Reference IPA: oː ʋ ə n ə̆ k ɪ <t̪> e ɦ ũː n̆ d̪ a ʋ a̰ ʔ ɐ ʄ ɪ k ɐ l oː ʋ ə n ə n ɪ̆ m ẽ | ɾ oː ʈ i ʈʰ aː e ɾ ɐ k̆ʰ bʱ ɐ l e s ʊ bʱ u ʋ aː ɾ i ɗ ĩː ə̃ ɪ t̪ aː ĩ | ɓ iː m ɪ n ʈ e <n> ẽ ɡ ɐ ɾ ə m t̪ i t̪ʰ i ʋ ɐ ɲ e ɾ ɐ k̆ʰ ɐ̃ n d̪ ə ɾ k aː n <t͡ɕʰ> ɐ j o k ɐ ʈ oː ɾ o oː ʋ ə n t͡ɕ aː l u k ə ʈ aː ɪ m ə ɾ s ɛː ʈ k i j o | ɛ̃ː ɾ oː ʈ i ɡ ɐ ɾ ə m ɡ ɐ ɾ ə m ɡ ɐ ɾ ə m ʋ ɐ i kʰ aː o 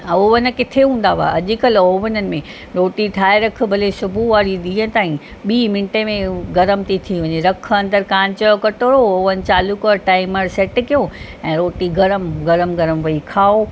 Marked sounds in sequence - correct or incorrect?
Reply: incorrect: t̪ʰ, incorrect: m, incorrect: t͡ɕ

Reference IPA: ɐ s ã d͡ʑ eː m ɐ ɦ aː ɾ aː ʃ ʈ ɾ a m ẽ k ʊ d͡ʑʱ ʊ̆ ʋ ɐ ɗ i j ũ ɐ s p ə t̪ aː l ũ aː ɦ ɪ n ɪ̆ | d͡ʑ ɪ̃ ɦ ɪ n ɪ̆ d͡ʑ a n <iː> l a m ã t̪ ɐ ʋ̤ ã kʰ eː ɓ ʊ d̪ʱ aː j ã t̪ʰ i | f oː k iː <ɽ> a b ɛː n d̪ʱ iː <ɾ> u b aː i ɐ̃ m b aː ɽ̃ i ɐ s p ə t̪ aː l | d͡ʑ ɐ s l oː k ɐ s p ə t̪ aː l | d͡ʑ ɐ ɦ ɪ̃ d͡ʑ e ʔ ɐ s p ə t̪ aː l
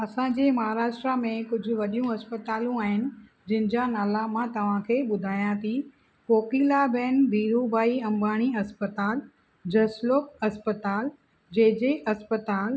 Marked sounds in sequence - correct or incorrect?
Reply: incorrect: aː, incorrect: l, correct

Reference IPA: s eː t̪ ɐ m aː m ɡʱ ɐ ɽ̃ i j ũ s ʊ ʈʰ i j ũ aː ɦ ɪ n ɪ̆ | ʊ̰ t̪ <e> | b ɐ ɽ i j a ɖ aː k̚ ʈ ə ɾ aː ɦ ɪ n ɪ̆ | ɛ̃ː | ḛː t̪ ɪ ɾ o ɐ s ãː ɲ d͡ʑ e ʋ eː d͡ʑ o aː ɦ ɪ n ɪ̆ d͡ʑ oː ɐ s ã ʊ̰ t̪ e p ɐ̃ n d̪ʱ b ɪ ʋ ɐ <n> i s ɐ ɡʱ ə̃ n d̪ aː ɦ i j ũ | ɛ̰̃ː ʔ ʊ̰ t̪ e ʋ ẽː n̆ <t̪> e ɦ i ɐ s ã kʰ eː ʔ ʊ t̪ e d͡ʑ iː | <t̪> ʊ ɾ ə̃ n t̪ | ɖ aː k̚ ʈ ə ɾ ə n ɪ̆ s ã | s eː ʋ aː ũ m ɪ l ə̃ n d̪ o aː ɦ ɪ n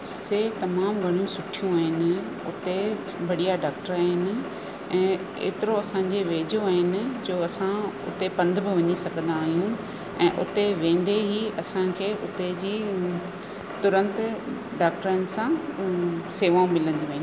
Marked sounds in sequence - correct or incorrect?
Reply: correct, incorrect: ɲ, incorrect: d̪, correct

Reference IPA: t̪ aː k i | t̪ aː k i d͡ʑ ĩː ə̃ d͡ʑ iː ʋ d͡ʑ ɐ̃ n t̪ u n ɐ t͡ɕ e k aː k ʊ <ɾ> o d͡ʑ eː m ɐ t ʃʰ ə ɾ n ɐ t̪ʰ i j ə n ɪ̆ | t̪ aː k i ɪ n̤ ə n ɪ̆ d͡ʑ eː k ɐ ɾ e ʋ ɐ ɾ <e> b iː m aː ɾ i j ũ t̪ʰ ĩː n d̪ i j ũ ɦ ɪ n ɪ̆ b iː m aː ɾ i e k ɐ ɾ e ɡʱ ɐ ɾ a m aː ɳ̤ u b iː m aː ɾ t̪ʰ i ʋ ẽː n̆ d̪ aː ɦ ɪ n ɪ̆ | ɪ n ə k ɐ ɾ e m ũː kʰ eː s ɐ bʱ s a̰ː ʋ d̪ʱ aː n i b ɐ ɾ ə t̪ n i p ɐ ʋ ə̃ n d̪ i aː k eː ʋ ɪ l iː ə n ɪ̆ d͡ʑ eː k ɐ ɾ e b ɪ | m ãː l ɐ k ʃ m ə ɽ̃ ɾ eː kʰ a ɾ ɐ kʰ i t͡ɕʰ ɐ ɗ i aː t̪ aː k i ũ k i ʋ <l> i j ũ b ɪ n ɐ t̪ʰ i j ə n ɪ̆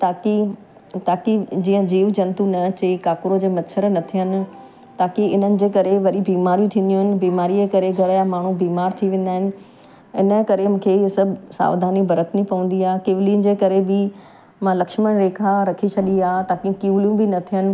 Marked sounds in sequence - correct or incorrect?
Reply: correct, incorrect: i, correct

